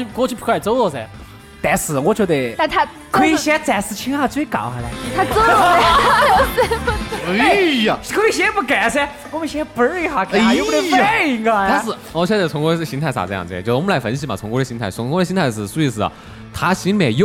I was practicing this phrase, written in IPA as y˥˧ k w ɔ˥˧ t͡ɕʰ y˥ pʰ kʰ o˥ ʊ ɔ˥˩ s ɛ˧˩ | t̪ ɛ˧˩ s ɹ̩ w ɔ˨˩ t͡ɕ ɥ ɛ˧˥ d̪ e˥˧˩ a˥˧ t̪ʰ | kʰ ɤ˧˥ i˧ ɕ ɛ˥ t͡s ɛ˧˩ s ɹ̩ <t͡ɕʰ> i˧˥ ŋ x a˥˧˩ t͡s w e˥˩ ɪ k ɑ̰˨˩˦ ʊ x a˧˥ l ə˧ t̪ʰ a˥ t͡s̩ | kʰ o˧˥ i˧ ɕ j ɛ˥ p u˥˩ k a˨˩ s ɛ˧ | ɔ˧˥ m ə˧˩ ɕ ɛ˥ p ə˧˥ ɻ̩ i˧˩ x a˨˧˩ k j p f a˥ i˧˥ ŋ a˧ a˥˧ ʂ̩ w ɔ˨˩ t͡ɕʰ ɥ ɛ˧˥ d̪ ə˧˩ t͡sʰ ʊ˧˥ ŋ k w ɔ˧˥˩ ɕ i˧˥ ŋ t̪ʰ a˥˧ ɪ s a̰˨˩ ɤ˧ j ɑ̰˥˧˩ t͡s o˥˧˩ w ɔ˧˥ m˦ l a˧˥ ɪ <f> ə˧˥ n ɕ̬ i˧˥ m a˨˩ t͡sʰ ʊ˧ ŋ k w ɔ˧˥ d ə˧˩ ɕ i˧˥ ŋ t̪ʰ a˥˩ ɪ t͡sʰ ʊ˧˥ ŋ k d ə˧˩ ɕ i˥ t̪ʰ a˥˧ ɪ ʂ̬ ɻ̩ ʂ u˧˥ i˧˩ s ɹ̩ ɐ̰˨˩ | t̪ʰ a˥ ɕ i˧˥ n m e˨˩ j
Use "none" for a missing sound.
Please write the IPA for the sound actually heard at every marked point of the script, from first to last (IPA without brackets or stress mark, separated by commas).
t͡ɕʰ, f